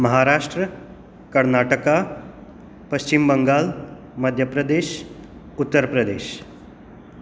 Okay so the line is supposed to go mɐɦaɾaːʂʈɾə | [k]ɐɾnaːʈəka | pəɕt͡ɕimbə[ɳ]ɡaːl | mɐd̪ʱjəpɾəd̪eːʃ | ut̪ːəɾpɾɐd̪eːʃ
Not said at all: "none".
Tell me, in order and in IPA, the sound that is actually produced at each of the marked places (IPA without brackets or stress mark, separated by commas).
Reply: k, ŋ